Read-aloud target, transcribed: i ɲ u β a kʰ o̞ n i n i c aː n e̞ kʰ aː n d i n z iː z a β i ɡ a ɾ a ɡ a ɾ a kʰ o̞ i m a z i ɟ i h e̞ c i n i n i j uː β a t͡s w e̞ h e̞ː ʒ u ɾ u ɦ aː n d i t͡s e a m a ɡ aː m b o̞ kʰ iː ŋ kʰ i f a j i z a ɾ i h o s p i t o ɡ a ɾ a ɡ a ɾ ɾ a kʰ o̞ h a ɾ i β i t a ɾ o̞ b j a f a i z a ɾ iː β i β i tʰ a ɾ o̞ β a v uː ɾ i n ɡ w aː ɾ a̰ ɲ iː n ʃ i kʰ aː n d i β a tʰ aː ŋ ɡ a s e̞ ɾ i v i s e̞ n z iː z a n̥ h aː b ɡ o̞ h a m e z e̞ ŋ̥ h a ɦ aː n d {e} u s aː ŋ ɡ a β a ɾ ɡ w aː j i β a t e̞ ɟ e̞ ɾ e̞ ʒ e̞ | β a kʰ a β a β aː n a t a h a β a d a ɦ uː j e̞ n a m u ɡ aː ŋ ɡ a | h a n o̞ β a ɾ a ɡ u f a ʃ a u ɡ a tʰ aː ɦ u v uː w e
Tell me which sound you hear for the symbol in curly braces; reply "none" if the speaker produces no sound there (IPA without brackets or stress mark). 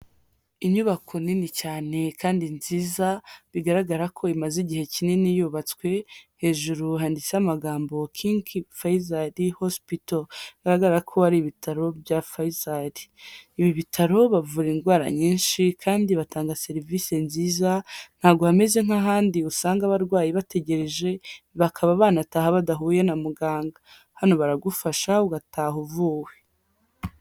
i